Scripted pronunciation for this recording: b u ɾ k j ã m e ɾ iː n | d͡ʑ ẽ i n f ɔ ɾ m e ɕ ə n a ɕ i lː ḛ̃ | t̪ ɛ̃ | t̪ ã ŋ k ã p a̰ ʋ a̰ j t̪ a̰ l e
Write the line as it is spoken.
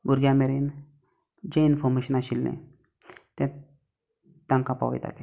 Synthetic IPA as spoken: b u ɾ ɡ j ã m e ɾ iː n | d͡ʑ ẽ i n f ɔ ɾ m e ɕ ə n a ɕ i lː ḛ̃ | t̪ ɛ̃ | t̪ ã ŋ k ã p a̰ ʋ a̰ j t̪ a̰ l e